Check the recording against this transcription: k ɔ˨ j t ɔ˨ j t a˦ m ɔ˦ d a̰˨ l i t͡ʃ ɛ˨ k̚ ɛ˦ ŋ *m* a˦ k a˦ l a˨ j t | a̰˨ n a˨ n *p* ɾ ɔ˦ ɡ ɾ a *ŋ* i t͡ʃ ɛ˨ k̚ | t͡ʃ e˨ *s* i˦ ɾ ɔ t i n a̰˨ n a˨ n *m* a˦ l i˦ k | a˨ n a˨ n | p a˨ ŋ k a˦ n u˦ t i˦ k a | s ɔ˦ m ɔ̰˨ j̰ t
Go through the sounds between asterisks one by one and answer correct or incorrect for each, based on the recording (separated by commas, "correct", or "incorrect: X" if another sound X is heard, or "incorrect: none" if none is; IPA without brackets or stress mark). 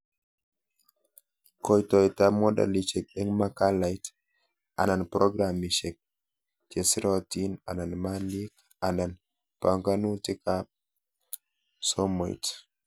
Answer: correct, correct, incorrect: m, correct, correct